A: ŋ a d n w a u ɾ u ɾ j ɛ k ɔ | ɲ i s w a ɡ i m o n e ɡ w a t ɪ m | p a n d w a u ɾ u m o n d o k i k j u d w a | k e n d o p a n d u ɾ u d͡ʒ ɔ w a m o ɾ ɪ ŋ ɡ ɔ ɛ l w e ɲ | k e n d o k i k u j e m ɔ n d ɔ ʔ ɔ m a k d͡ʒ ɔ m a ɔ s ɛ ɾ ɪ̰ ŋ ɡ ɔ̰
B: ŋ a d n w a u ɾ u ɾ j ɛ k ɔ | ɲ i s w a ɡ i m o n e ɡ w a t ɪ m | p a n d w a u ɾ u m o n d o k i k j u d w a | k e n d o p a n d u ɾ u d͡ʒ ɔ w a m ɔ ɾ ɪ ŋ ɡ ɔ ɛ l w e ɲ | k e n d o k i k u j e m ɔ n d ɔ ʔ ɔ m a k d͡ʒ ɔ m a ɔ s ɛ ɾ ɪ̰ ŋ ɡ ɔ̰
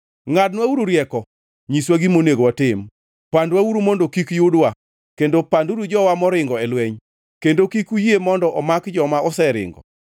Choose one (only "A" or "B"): B